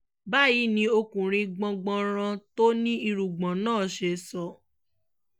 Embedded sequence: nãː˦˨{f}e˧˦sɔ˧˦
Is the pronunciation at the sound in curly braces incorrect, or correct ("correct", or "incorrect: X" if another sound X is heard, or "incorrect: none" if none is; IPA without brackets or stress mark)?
incorrect: ʃ